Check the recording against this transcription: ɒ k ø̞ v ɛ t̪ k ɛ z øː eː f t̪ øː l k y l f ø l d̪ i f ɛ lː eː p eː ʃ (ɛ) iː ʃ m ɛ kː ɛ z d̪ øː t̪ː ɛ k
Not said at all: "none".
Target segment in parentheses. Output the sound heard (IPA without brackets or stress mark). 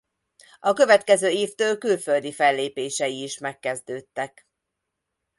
ɛ